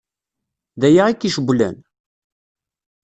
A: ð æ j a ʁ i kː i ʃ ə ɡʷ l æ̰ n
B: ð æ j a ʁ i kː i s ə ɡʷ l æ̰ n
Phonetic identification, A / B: A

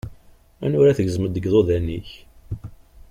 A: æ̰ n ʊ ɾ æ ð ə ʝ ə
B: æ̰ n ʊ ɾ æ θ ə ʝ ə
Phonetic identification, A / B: B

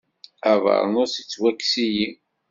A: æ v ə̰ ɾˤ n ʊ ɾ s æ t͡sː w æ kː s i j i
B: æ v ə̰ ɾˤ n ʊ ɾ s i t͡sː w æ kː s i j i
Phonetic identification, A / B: B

